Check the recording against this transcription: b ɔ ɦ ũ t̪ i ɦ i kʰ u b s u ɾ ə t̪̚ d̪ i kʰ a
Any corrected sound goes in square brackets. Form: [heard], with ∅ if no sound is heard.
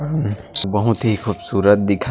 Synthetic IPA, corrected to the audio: b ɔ ɦ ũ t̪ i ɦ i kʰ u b s u ɾ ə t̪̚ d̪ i kʰ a